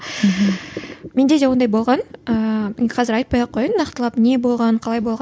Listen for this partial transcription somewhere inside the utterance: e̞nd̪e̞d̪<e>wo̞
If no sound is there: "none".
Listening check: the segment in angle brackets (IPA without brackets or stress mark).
e